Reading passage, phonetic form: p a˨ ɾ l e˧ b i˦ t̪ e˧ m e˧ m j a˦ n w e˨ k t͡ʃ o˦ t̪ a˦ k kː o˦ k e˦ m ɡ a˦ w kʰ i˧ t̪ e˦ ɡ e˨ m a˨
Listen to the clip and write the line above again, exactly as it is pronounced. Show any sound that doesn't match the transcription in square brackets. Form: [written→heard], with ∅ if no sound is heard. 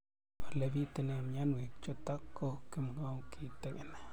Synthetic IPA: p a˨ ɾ l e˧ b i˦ t̪ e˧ [m→n] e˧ m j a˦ n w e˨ k t͡ʃ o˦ t̪ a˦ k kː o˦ k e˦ m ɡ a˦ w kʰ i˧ t̪ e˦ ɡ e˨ [m→n] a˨